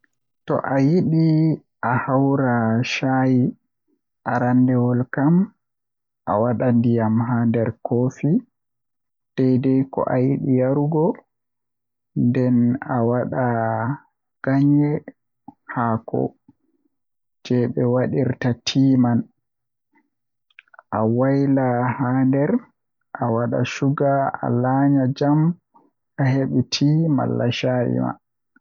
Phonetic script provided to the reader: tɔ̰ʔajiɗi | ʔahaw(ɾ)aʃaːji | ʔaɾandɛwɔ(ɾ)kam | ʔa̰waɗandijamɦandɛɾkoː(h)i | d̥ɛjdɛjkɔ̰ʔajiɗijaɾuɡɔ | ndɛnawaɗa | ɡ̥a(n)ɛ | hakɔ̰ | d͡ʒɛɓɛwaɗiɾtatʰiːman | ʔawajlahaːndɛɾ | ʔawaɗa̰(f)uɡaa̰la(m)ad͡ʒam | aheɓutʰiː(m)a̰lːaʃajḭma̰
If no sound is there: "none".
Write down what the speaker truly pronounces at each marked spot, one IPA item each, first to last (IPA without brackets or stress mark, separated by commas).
ɾ, l, f, ɲ, ʃ, ɲ, m